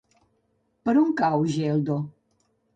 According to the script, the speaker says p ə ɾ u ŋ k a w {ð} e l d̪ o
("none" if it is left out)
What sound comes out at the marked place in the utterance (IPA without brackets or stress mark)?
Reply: ʒ